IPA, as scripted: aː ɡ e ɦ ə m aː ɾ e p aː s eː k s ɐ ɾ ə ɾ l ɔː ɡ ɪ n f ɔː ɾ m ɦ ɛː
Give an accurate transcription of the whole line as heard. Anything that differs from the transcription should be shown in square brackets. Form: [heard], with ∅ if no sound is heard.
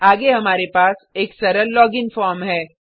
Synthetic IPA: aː ɡ e ɦ [ɐ] m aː ɾ e p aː s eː k s ɐ ɾ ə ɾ l ɔː ɡ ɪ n f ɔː ɾ m ɦ ɛː

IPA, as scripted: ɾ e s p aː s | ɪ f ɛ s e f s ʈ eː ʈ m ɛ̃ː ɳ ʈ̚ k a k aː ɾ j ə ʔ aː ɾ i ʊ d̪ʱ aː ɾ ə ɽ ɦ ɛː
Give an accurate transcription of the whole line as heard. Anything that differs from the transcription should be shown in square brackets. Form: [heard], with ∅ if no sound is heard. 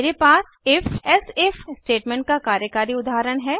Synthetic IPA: ɾ e [∅] p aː s | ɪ f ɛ s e f s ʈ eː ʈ m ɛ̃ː ɳ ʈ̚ k a k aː ɾ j ə [k] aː ɾ i ʊ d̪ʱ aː ɾ ə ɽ ɦ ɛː

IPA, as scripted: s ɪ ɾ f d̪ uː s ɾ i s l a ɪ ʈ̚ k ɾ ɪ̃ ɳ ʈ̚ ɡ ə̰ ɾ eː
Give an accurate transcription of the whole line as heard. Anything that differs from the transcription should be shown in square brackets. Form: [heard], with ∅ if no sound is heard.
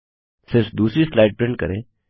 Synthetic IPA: s ɪ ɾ f d̪ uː s ɾ i s l a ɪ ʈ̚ [p] ɾ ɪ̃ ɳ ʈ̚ [k] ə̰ ɾ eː

